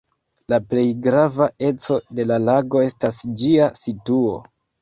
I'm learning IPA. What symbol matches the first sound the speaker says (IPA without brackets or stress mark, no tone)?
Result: l